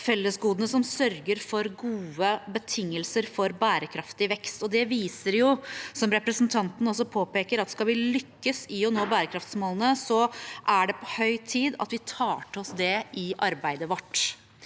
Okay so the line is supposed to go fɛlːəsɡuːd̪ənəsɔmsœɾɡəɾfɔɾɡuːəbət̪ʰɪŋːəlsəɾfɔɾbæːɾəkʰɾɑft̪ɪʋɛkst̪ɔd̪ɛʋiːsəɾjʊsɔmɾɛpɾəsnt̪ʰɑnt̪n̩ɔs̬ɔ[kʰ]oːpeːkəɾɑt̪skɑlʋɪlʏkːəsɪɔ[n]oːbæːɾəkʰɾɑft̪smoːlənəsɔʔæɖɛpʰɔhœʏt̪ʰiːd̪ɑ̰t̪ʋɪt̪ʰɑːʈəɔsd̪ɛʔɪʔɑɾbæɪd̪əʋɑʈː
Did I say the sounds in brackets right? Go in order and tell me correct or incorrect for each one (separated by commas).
incorrect, correct